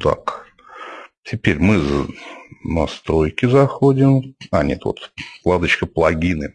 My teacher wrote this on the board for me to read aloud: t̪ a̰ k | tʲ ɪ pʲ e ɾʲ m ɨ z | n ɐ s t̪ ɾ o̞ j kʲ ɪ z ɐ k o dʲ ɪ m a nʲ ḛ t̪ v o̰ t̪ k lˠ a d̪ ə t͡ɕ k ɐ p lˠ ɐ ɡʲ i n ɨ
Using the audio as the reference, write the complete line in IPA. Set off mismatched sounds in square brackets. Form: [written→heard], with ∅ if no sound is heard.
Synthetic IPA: t̪ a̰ k | tʲ ɪ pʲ e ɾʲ m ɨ z | n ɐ s t̪ ɾ o̞ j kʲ ɪ z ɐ [k→x] o dʲ ɪ m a nʲ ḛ t̪ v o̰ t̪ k lˠ a d̪ ə t͡ɕ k [ɐ→ə] p lˠ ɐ ɡʲ i n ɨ